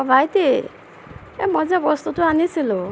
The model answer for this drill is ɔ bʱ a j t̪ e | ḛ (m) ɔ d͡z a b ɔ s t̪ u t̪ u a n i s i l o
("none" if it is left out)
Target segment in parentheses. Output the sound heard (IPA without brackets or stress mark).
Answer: m